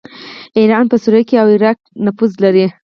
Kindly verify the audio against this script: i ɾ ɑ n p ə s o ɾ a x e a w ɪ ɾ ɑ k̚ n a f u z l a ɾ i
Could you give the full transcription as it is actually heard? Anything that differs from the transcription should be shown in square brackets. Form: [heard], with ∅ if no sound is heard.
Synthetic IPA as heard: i ɾ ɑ n p ə s [u] ɾ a [k] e a w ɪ ɾ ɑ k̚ n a f u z l a ɾ i